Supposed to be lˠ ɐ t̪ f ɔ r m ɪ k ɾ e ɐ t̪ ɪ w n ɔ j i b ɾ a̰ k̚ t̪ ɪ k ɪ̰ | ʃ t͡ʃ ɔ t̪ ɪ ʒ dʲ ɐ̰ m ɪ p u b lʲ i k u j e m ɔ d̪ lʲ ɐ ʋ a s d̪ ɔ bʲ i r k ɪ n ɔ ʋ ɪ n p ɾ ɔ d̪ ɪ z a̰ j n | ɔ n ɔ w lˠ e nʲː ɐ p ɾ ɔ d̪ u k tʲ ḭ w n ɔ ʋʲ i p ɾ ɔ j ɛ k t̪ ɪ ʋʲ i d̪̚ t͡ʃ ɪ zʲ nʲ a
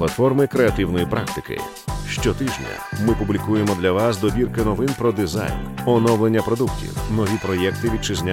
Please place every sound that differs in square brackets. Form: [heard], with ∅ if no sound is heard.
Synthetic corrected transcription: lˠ ɐ t̪ f ɔ r m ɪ k ɾ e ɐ t̪ ɪ w n ɔ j i [p] ɾ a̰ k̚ t̪ ɪ k ɪ̰ | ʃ t͡ʃ ɔ t̪ ɪ ʒ [nʲ] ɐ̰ m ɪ p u b lʲ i k u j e m ɔ d̪ lʲ ɐ ʋ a s d̪ ɔ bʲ i r k ɪ n ɔ ʋ ɪ n p ɾ ɔ d̪ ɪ z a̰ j n | ɔ n ɔ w lˠ e nʲː ɐ p ɾ ɔ d̪ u k tʲ ḭ w n ɔ ʋʲ i p ɾ ɔ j ɛ k t̪ ɪ ʋʲ i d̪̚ t͡ʃ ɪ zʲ nʲ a